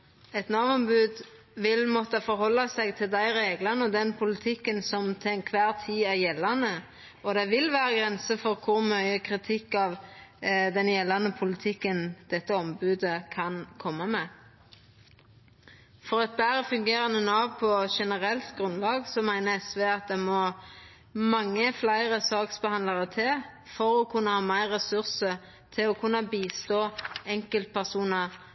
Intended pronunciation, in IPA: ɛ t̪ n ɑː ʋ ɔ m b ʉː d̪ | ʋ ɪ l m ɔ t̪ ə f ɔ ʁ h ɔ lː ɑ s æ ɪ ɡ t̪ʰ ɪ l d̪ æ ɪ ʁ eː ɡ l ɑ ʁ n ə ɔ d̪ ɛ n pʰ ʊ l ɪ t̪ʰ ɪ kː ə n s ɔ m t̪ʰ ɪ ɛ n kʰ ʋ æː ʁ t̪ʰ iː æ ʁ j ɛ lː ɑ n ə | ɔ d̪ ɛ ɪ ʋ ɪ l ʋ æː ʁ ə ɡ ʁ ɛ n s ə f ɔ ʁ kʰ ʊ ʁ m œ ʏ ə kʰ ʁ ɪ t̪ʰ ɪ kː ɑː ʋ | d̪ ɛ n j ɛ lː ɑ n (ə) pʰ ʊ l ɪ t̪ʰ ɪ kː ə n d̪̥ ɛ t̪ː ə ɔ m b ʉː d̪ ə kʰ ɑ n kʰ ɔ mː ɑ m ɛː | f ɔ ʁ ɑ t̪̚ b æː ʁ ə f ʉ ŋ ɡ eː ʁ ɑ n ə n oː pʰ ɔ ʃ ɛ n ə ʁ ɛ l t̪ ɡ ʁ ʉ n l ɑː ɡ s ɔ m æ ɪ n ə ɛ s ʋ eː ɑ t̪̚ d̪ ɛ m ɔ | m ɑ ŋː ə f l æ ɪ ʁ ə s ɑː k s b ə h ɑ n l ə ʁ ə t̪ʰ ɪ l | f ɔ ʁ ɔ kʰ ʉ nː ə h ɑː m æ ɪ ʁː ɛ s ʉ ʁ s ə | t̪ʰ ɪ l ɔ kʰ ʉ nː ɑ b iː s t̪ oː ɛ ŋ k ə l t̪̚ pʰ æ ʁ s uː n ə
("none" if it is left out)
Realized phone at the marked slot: ə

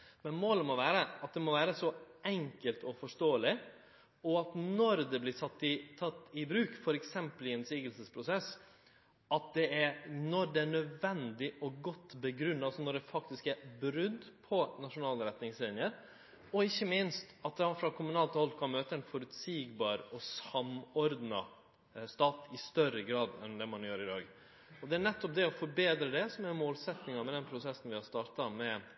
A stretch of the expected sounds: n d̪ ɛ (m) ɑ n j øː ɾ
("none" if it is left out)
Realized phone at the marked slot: m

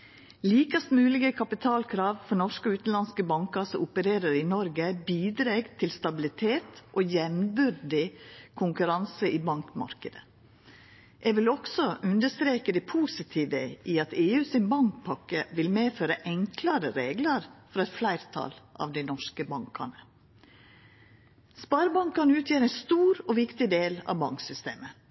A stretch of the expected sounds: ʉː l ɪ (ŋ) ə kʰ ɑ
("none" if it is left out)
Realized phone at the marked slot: ɡ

